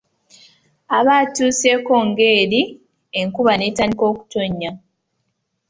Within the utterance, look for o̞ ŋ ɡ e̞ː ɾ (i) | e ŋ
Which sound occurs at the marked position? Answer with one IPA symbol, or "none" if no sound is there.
i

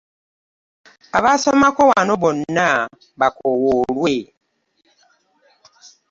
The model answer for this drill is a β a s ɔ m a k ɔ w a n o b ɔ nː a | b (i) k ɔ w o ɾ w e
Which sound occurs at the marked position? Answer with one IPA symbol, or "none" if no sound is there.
a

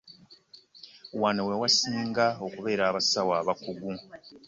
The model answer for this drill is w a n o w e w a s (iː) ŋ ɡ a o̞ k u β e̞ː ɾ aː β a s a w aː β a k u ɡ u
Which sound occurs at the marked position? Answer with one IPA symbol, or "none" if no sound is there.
iː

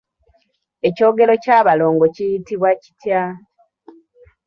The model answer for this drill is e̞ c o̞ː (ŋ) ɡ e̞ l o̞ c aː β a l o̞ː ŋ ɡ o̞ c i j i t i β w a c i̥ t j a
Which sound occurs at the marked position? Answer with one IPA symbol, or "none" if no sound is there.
none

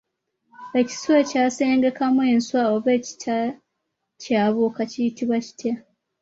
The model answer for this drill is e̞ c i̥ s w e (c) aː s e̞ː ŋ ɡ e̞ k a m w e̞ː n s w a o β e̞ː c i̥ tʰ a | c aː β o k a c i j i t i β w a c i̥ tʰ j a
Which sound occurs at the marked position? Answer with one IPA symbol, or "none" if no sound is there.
c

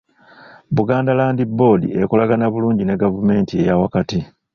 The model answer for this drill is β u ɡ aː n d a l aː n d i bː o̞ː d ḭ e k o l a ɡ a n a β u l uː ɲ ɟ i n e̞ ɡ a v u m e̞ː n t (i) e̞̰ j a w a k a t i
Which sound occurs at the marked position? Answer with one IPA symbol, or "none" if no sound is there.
i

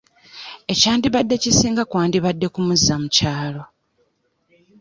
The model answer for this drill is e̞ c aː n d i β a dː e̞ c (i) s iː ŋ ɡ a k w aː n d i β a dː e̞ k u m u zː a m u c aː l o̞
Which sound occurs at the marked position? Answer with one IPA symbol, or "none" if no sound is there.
i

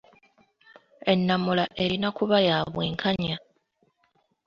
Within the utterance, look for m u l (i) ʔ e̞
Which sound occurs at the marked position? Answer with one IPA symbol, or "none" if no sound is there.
a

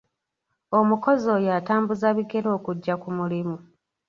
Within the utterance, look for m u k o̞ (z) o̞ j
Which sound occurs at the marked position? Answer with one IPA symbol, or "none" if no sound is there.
z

